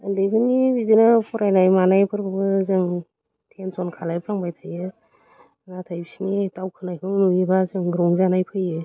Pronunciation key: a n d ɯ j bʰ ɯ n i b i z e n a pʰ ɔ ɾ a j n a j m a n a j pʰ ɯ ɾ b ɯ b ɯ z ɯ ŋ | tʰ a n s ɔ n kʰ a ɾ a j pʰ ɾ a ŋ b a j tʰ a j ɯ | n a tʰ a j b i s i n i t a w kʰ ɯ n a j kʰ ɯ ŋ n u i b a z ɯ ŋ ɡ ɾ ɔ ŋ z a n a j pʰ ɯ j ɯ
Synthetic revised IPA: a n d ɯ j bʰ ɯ n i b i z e n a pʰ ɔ ɾ a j n a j m a n a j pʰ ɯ ɾ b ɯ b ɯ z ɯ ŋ | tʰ e n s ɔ n kʰ a l a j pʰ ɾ a ŋ b a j tʰ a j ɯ | n a tʰ a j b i s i n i t a w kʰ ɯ n a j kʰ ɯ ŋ n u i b a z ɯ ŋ ɡ ɾ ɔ ŋ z a n a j pʰ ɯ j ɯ